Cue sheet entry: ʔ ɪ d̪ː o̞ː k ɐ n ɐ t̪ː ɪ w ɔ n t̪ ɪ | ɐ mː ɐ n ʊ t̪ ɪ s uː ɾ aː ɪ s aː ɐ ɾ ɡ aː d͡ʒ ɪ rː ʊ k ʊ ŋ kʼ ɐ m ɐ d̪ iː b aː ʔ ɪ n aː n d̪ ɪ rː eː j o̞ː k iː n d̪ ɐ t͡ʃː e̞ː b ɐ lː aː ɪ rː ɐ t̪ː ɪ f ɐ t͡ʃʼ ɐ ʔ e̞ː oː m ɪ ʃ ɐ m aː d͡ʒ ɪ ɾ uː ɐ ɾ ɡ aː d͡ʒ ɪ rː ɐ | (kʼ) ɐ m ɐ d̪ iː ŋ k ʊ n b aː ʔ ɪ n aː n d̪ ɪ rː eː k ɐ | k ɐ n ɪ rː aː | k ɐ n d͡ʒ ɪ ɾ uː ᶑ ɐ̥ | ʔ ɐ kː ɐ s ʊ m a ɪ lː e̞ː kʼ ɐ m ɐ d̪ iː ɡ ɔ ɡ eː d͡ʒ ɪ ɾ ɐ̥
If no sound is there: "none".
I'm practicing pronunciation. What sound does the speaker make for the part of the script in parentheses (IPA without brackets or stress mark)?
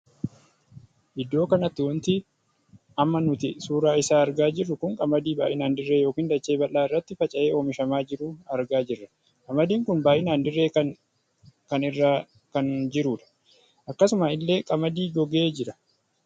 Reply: kʼ